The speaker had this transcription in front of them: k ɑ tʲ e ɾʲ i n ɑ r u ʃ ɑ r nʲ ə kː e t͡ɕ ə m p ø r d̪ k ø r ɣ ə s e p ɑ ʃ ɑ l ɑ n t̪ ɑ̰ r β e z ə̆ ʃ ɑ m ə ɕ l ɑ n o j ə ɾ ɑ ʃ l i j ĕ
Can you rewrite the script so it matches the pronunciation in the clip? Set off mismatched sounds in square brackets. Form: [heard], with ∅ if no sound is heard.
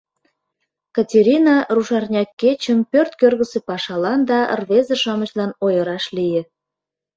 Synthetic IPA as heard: k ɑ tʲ e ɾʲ i n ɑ r u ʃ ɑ r nʲ [ɑ] kː e t͡ɕ ə m p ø r [t̪] k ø r ɣ ə s e p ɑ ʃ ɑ l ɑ n [d̪] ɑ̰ r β e z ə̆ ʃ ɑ m ə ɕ l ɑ n o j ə ɾ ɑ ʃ l i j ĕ